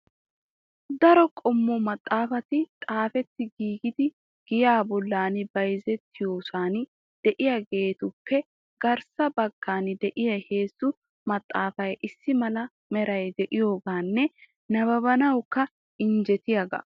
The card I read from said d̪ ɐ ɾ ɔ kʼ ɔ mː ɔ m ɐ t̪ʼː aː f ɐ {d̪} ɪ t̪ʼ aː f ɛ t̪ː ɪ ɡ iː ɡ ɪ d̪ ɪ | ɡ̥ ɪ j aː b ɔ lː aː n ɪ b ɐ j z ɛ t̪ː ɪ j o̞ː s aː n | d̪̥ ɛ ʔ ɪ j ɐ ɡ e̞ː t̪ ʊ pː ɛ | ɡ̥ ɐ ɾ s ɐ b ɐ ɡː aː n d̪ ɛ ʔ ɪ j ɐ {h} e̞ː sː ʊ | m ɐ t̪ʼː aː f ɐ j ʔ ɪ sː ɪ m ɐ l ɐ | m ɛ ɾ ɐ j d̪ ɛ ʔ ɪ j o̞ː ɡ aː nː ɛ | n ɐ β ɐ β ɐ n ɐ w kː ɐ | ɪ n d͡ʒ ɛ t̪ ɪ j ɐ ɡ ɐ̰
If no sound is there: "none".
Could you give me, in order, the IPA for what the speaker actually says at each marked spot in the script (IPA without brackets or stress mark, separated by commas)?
t̪, h